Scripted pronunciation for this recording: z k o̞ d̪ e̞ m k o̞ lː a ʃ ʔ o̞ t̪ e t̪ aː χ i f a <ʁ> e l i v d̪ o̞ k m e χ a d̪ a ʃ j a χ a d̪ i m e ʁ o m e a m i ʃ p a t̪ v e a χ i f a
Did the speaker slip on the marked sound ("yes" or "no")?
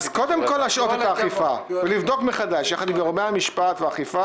yes